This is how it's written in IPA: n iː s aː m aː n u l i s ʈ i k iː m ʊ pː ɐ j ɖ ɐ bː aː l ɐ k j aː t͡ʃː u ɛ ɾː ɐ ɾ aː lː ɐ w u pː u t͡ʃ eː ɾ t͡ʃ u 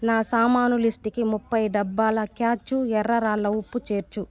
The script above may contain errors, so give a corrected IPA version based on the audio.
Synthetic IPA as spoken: n aː s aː m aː n u l i s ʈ i k i m u pː ɐ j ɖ ɐ bː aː l ɐ k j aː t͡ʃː u ɛ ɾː ɐ ɾ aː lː ɐ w u pː u t͡ʃ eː ɾ t͡ʃ u